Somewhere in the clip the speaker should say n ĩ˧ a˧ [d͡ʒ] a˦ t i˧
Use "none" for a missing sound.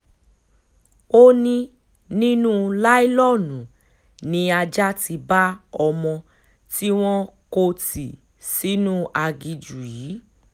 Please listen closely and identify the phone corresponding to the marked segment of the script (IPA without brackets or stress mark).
d͡ʒ